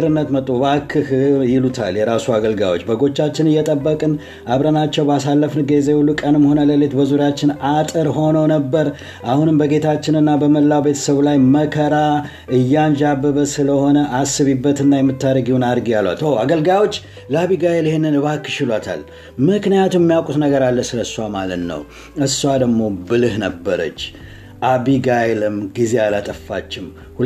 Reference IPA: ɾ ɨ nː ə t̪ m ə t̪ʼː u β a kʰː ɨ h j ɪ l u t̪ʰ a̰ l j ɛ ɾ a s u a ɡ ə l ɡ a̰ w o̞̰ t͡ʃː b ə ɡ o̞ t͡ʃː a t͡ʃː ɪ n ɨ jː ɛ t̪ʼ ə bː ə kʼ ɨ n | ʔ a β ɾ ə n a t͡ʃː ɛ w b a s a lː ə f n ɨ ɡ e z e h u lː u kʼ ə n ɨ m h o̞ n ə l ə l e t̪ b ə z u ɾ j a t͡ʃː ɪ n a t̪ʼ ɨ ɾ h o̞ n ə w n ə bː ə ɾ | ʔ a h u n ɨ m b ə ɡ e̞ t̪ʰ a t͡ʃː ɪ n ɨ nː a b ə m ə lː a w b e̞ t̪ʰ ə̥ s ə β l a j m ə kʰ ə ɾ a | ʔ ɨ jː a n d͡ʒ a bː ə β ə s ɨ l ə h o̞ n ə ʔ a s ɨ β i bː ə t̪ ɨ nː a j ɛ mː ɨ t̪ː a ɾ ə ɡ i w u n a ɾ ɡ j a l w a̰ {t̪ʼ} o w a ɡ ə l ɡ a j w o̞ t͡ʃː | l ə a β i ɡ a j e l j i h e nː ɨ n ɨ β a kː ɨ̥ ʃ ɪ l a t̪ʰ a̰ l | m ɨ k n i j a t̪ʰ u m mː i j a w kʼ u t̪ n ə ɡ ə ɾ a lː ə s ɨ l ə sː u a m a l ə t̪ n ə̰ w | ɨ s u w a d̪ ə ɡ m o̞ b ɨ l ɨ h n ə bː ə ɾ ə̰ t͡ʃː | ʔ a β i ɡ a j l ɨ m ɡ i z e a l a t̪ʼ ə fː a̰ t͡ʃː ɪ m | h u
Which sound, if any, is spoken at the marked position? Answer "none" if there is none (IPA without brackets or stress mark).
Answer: t̪